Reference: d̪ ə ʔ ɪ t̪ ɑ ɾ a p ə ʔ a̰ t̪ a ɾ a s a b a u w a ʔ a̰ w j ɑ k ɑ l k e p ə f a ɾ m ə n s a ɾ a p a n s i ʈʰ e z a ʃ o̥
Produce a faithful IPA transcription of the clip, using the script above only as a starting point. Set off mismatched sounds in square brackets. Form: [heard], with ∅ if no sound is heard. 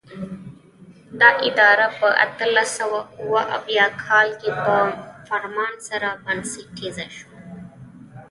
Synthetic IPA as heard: d̪ [ɑ] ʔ ɪ [d̪] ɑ ɾ a p ə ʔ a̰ t̪ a [l] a s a [w] a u w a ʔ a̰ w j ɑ [kʰ] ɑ l k e p ə f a ɾ m [ɑ] n s a ɾ a [b] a n s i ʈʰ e z a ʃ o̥